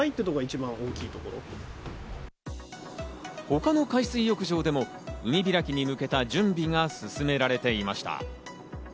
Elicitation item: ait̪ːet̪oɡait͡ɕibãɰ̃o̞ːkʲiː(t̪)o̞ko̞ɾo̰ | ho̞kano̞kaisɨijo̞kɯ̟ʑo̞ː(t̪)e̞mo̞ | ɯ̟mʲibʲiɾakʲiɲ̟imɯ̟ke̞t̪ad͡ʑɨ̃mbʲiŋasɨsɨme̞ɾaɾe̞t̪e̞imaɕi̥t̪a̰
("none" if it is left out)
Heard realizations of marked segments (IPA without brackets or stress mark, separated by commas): t̪, d̪